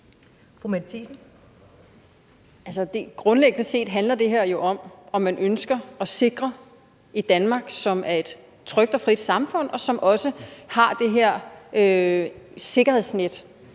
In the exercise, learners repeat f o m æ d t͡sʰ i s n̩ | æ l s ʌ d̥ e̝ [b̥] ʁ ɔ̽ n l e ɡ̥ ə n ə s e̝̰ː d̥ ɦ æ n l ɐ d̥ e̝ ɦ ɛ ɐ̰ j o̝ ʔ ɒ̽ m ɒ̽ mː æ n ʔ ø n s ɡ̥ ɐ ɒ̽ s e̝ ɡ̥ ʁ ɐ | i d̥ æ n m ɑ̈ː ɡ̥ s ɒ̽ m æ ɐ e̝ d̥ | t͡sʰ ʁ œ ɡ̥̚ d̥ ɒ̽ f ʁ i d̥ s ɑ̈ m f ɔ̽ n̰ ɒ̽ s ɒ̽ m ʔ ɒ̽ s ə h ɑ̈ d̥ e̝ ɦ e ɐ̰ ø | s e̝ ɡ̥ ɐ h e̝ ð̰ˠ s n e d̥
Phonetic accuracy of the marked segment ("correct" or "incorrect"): incorrect